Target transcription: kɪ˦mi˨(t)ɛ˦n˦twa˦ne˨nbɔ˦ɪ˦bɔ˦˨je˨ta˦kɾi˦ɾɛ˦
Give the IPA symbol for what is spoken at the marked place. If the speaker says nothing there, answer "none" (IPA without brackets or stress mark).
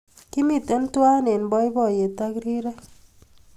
t